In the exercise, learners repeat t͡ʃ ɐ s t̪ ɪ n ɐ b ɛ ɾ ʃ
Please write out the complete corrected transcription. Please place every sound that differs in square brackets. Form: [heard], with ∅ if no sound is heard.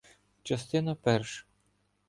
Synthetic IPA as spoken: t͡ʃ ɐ s t̪ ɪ n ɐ [p] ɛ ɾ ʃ